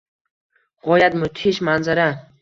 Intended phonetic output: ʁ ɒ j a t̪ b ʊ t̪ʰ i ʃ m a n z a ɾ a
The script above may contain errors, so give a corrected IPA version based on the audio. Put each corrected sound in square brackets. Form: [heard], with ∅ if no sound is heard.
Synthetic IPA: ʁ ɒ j a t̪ [m] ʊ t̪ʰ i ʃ m a n z a ɾ a